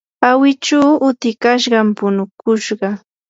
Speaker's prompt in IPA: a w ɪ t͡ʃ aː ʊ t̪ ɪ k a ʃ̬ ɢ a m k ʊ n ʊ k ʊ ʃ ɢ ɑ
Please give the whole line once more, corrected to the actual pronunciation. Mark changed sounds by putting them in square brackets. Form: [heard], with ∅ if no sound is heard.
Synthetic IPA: a w ɪ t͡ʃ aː ʊ t̪ ɪ k a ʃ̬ ɢ [ɑ] m [p] ʊ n ʊ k ʊ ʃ ɢ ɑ